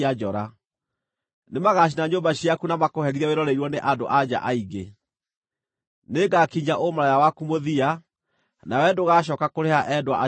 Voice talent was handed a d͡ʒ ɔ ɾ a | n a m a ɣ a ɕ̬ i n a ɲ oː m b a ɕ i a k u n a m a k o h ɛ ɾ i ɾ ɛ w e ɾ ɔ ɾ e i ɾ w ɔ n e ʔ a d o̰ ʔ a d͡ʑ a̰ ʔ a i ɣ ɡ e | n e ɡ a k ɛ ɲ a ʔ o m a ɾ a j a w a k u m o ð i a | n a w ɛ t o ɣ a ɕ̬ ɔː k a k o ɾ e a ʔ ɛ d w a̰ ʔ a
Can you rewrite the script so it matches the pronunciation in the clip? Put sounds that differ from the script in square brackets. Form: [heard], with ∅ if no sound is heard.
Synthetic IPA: a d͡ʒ ɔ ɾ a | n [e] m a ɣ a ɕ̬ i n a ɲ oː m b a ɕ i a k u n a m a k o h ɛ ɾ i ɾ ɛ w e ɾ ɔ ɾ e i ɾ w ɔ n e ʔ a d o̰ ʔ a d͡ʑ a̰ ʔ a i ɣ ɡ e | n e ɡ a k [i] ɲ a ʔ o m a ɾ a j a w a k u m o ð i a | n a w ɛ [d] o ɣ a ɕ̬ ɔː k a k o ɾ e a ʔ ɛ d w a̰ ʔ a